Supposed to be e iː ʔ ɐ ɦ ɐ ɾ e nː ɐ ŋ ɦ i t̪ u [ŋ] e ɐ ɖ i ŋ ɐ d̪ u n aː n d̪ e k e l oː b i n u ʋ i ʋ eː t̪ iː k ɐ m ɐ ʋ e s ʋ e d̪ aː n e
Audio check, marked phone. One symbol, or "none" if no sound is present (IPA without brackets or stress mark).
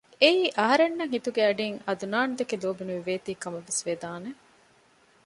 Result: ɡ